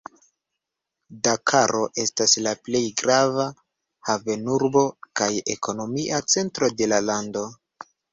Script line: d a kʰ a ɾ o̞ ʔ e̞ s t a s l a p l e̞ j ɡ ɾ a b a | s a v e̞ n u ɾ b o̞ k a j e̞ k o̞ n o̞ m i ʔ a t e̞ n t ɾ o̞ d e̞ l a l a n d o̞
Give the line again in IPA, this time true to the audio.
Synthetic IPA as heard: d a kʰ a ɾ o̞ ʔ e̞ s t a s l a p l e̞ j ɡ ɾ a v a | h a v e̞ n u ɾ b o̞ k a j e̞ k o̞ n o̞ m i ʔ a t͡s e̞ n t ɾ o̞ d e̞ l a l a n d o̞